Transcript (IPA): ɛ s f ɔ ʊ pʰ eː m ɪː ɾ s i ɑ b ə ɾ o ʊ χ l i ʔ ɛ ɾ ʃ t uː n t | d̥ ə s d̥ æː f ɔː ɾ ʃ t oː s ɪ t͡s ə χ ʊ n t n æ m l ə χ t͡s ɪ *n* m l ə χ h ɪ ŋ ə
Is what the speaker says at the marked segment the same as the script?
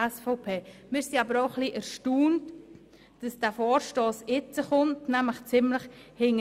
no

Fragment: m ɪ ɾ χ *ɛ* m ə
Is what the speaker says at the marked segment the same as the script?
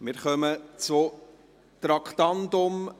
no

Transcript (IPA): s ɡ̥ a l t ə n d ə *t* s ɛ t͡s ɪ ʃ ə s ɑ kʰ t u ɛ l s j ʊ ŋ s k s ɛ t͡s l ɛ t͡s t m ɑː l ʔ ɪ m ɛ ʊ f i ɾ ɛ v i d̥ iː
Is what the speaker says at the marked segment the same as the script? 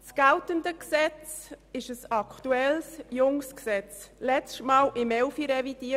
no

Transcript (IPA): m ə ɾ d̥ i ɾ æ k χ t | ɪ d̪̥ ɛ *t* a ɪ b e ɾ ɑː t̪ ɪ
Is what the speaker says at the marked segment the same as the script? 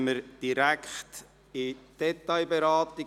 yes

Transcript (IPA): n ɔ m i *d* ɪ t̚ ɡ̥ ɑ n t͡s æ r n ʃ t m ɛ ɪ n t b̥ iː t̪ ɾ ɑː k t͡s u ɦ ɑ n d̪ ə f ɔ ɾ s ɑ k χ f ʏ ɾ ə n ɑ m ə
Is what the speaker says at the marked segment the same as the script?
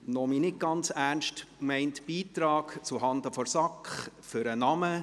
no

